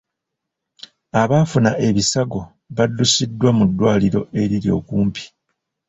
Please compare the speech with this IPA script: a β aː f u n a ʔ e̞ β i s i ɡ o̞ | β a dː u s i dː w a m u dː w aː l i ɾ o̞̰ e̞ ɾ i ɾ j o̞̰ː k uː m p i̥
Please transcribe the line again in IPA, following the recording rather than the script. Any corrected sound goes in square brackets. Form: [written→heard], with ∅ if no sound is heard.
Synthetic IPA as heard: a β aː f u n a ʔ e̞ β i s [i→a] ɡ o̞ | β a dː u s i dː w a m u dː w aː l i ɾ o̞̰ e̞ ɾ i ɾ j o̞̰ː k uː m p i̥